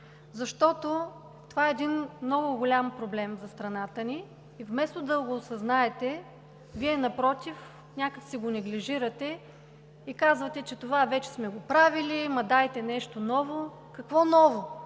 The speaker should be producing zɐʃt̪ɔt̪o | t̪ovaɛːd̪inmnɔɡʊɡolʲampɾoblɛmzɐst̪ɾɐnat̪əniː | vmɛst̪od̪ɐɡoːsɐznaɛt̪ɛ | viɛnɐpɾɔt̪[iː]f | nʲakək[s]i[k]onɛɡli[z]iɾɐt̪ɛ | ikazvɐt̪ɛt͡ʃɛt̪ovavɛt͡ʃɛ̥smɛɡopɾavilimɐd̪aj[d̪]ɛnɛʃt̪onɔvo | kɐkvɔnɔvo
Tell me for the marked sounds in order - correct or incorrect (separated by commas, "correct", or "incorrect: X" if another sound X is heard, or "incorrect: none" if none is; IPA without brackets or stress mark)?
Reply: incorrect: i, correct, incorrect: ɡ, incorrect: ʒ, incorrect: t̪